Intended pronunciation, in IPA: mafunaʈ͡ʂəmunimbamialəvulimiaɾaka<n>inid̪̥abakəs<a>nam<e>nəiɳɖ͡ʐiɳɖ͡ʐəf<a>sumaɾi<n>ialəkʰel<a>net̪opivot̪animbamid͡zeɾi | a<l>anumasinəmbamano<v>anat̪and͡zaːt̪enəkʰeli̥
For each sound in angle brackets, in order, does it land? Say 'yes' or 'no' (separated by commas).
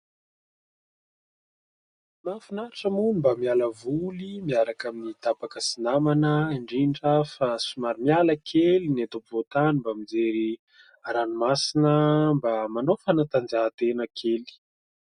no, no, no, yes, no, no, no, no